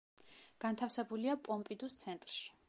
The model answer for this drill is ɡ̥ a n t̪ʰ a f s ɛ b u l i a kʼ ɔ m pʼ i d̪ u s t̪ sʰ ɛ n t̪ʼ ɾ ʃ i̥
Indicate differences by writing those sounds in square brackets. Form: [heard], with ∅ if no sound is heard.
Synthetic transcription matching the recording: ɡ̥ a n t̪ʰ a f s ɛ b u l i a [pʼ] ɔ m pʼ i d̪ u s t̪ sʰ ɛ n t̪ʼ ɾ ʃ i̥